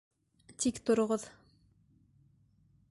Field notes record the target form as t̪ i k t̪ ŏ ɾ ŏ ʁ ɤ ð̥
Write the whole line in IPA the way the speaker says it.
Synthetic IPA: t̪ i k t̪ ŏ ɾ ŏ ʁ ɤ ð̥